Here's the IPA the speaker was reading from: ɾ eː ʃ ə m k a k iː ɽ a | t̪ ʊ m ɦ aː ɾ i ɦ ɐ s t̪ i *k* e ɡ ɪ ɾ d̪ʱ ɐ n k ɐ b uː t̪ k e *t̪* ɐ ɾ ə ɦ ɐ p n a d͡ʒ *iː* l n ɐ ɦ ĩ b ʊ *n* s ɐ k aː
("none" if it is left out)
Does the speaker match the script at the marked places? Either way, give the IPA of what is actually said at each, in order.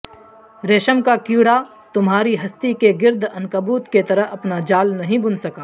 k, t̪, aː, n

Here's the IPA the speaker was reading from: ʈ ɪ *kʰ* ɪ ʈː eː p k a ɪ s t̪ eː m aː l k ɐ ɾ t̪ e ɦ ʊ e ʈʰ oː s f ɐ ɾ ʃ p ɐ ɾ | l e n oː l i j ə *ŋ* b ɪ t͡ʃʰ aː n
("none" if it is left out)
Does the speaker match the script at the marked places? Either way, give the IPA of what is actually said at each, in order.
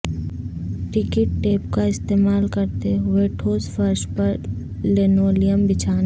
k, m

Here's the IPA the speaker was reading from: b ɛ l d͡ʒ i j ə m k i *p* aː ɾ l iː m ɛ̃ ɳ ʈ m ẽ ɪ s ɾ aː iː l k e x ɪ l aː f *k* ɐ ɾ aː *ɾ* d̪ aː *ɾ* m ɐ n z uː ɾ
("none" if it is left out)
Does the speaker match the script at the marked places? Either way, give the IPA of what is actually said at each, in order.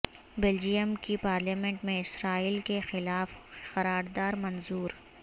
p, x, ɾ, ɾ

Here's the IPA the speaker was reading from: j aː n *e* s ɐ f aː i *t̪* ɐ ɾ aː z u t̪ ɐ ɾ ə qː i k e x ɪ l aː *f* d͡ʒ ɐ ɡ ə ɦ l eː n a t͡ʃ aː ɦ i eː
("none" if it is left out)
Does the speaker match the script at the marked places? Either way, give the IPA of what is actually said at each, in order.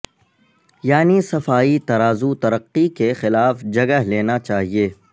i, t̪, f

